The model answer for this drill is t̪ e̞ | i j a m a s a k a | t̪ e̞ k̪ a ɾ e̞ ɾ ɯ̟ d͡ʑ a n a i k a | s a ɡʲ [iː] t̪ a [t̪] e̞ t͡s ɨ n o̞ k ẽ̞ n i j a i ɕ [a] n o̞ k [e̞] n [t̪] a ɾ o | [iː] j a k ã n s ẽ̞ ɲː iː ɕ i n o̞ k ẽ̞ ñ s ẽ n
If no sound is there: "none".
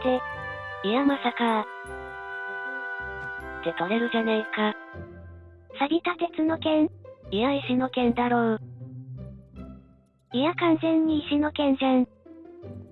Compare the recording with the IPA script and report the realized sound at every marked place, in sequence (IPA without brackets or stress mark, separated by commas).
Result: i, t̪, i, ẽ̞, d̪, i